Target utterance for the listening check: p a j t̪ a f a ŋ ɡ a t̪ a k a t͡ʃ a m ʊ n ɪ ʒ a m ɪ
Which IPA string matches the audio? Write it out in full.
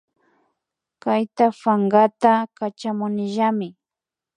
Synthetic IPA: k a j t̪ a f a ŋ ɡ a t̪ a k a t͡ʃ a m ʊ n ɪ ʒ a m ɪ